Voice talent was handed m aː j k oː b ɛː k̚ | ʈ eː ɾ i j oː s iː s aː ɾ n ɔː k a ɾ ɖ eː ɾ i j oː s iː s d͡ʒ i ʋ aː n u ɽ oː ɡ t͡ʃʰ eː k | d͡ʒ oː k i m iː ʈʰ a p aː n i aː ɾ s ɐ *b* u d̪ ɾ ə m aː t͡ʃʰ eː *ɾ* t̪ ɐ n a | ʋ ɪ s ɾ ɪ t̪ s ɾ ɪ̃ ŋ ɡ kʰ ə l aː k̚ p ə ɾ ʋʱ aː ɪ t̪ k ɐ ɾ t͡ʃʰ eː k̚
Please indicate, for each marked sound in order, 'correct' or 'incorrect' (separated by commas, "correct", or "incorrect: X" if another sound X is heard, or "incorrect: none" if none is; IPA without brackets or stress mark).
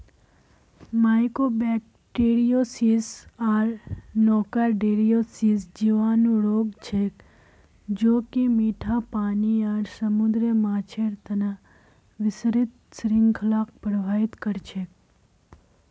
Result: incorrect: m, correct